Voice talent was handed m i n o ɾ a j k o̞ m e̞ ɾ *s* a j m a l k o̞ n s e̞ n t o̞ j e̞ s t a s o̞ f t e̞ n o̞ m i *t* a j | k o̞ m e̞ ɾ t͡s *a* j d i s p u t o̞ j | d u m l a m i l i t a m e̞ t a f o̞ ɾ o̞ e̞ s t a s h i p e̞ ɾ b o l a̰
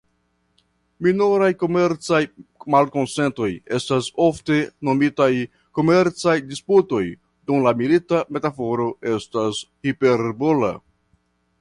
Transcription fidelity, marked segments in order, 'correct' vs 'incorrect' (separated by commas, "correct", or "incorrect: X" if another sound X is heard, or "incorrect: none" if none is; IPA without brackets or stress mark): incorrect: t͡s, correct, correct